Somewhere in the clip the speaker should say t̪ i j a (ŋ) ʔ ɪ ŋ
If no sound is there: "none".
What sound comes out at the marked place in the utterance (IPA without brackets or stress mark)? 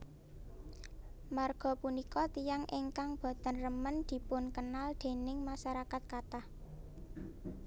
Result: ŋ